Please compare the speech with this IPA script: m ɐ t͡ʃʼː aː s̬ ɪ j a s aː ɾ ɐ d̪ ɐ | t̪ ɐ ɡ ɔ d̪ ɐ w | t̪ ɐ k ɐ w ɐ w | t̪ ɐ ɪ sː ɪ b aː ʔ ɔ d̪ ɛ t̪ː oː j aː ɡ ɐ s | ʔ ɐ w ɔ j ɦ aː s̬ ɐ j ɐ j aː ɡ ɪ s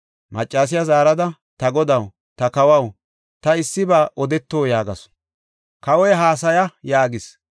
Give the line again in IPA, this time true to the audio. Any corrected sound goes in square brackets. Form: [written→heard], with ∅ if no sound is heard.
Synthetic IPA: m ɐ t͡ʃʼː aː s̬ ɪ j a [s→z] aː ɾ ɐ d̪ ɐ | t̪ ɐ ɡ ɔ d̪ ɐ w | t̪ ɐ k ɐ w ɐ w | t̪ ɐ ɪ sː ɪ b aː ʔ ɔ d̪ ɛ t̪ː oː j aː ɡ ɐ s | [ʔ→k] ɐ w ɔ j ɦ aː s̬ ɐ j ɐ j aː ɡ ɪ s

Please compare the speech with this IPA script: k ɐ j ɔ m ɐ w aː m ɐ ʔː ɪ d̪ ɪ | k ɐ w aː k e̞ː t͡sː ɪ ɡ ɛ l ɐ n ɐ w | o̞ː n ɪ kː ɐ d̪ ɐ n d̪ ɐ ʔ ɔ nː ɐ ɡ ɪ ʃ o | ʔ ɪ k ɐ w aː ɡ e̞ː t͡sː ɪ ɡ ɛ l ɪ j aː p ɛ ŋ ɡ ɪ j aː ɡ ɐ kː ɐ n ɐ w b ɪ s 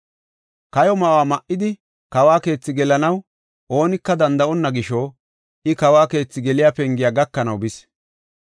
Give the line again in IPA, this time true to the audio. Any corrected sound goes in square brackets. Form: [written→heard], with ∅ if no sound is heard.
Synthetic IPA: k ɐ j ɔ m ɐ w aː m ɐ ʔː ɪ d̪ ɪ | k ɐ w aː k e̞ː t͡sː ɪ ɡ ɛ l ɐ n ɐ w | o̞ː n ɪ kː ɐ d̪ ɐ n d̪ ɐ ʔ ɔ nː ɐ ɡ ɪ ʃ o | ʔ ɪ k ɐ w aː [ɡ→k] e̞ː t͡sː ɪ ɡ ɛ l ɪ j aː p ɛ ŋ ɡ ɪ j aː ɡ ɐ kː ɐ n ɐ w b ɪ s

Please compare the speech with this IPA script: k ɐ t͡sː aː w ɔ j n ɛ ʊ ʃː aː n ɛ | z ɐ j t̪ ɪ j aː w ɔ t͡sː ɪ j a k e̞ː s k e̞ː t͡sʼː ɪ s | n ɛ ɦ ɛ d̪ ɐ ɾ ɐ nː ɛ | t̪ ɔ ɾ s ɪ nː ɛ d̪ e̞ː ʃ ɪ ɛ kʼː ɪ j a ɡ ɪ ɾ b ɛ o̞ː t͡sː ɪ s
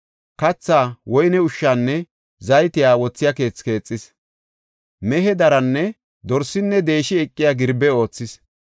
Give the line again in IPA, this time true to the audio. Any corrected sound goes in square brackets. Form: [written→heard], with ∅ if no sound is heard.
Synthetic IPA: k ɐ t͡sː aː w ɔ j n ɛ ʊ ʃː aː [n→nː] ɛ | z ɐ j t̪ ɪ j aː w ɔ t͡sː ɪ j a k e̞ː [s→t͡s] k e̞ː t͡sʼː ɪ s | [n→m] ɛ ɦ ɛ d̪ ɐ ɾ ɐ nː ɛ | [t̪→d̪] ɔ ɾ s ɪ nː ɛ d̪ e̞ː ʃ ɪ ɛ kʼː ɪ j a ɡ ɪ ɾ b ɛ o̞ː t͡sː ɪ s

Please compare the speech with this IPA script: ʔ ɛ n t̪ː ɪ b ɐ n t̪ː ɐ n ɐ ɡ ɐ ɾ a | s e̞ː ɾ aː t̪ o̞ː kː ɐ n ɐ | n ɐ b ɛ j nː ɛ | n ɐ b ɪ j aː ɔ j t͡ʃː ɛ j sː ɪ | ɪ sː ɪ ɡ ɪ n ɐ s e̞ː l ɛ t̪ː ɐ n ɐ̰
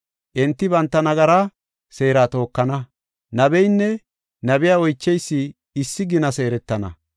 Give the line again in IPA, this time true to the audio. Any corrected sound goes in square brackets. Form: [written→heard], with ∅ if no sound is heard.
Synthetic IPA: ʔ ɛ n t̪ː ɪ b ɐ n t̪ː ɐ n ɐ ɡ ɐ ɾ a | s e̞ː ɾ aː t̪ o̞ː kː ɐ n ɐ | n ɐ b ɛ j nː ɛ | n ɐ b ɪ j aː ɔ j t͡ʃː ɛ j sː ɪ | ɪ sː ɪ ɡ ɪ n ɐ s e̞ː [l→ɾ] ɛ t̪ː ɐ n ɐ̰

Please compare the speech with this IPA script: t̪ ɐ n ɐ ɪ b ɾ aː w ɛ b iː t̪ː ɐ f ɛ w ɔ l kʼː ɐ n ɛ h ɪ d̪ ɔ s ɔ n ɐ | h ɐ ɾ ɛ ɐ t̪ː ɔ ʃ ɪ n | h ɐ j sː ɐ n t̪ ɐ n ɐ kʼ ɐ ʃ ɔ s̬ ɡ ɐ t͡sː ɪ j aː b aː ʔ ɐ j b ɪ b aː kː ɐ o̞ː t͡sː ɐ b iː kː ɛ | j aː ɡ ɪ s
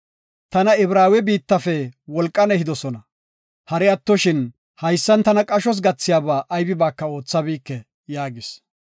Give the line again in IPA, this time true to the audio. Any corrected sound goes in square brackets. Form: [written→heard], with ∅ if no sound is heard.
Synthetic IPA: t̪ ɐ n ɐ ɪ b ɾ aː w ɛ b iː t̪ː ɐ f ɛ w ɔ l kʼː ɐ n ɛ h ɪ d̪ ɔ s ɔ n ɐ | h ɐ ɾ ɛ ɐ t̪ː ɔ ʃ ɪ n | h ɐ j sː ɐ n t̪ ɐ n ɐ kʼ ɐ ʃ ɔ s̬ ɡ ɐ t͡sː ɪ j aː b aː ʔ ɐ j b ɪ b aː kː ɐ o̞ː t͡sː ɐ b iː kː ɛ | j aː ɡ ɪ s

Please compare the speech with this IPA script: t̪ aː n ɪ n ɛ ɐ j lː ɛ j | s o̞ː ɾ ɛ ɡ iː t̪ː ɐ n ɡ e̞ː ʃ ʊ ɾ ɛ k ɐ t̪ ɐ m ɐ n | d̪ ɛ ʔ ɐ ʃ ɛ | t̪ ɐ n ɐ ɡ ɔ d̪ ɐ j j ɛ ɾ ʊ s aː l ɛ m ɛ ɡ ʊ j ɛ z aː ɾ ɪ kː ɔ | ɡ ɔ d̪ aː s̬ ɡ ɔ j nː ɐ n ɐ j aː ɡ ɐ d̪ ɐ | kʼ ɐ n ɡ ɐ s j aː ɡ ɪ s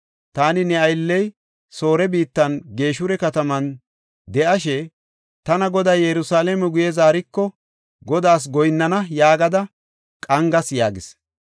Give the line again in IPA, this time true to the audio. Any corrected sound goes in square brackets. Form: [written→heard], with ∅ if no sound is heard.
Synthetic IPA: t̪ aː n ɪ n ɛ ɐ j lː ɛ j | s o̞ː ɾ ɛ [ɡ→b] iː t̪ː ɐ n ɡ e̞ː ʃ ʊ ɾ ɛ k ɐ t̪ ɐ m ɐ n | d̪ ɛ ʔ ɐ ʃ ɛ | t̪ ɐ n ɐ ɡ ɔ d̪ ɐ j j ɛ ɾ ʊ s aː l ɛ m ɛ ɡ ʊ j ɛ z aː ɾ ɪ kː ɔ | ɡ ɔ d̪ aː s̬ ɡ ɔ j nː ɐ n ɐ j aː ɡ ɐ d̪ ɐ | kʼ ɐ [n→ŋ] ɡ ɐ s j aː ɡ ɪ s

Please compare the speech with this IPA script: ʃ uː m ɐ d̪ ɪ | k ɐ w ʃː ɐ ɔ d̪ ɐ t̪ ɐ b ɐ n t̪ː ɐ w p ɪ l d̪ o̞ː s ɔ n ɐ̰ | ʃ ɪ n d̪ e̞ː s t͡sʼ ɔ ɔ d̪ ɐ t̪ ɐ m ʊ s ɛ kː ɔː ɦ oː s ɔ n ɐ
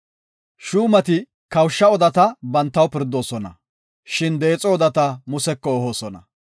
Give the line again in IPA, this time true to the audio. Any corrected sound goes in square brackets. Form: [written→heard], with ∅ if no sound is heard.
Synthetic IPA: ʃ uː m ɐ [d̪→t̪] ɪ | k ɐ w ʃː ɐ ɔ d̪ ɐ t̪ ɐ b ɐ n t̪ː ɐ w p ɪ [l→ɾ] d̪ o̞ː s ɔ n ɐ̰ | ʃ ɪ n d̪ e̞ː [s→∅] t͡sʼ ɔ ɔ d̪ ɐ t̪ ɐ m ʊ s ɛ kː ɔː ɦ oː s ɔ n ɐ

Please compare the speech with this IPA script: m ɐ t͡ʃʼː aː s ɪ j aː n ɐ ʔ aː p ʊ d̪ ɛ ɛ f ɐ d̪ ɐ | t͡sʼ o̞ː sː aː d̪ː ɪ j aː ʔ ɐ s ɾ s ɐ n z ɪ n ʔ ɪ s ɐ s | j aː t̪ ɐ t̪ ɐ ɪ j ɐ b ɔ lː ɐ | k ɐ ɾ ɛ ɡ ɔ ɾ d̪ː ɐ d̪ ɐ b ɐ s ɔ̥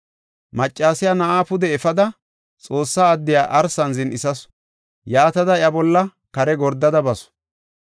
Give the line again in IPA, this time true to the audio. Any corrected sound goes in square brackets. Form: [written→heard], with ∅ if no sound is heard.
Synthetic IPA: m ɐ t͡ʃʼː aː s ɪ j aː n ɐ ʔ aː p ʊ d̪ ɛ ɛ f ɐ d̪ ɐ | t͡sʼ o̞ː sː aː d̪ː ɪ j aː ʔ ɐ [s→∅] ɾ s ɐ n z ɪ n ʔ ɪ s ɐ s | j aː t̪ ɐ [t̪→d̪] ɐ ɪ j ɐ b ɔ lː ɐ | k ɐ ɾ ɛ ɡ ɔ ɾ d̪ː ɐ d̪ ɐ b ɐ s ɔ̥

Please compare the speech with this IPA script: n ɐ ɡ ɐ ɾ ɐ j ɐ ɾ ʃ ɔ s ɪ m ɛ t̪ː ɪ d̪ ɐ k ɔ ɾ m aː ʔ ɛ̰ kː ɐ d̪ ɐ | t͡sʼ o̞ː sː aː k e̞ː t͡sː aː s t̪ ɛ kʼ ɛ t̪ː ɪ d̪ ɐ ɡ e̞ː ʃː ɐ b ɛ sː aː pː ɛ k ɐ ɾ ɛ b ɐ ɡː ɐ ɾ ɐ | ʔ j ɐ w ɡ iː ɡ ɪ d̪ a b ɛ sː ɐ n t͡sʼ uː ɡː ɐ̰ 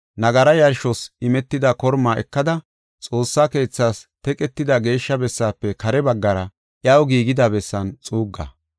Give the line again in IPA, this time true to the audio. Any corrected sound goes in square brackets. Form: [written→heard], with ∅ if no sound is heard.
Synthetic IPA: n ɐ ɡ ɐ ɾ ɐ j ɐ ɾ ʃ ɔ s ɪ m ɛ t̪ː ɪ d̪ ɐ k ɔ ɾ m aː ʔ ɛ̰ kː ɐ d̪ ɐ | t͡sʼ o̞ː sː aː k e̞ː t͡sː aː s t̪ ɛ kʼ ɛ t̪ː ɪ d̪ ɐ ɡ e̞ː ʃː ɐ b ɛ sː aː pː ɛ k ɐ ɾ ɛ b ɐ ɡː ɐ ɾ ɐ | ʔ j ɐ w ɡ iː ɡ ɪ d̪ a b ɛ sː ɐ n t͡sʼ uː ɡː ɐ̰

